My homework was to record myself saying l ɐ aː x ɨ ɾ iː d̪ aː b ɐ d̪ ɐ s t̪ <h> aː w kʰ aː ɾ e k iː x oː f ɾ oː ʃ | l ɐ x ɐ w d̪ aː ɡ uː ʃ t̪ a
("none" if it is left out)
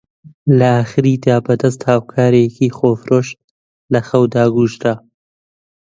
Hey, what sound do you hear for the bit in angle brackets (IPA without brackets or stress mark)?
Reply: h